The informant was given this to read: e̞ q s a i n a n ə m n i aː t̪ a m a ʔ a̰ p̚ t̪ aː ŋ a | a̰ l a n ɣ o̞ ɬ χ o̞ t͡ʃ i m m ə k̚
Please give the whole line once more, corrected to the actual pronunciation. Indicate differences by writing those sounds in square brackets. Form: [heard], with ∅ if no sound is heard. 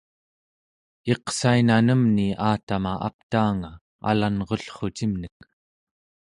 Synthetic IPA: e̞ q s a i n a n ə m n i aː t̪ a m a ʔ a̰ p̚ t̪ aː ŋ a | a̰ l a n [ʁ] o̞ ɬ χ o̞ t͡ʃ i m [n] ə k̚